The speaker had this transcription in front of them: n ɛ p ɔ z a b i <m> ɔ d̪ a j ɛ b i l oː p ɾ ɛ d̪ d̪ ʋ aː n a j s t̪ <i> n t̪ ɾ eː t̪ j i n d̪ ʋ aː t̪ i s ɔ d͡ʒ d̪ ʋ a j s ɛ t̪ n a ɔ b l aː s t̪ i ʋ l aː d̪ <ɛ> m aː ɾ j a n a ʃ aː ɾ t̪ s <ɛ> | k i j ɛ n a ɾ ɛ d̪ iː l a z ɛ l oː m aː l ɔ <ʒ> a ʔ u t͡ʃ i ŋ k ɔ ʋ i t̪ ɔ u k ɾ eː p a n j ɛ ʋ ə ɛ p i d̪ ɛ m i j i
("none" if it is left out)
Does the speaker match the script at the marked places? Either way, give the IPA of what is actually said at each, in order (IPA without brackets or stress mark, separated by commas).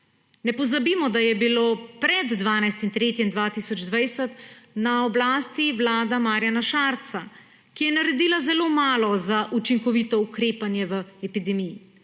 m, i, a, a, z